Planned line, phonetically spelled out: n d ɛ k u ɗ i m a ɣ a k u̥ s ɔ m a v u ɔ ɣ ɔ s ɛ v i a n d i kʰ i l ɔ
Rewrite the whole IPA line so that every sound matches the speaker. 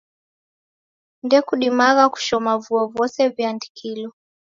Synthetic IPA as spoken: n d ɛ k u ɗ i m a ɣ a k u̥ ʃ ɔ m a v u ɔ v ɔ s ɛ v j a n d i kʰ i l ɔ